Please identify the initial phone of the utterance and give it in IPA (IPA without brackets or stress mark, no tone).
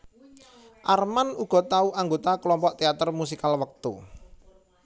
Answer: ʔ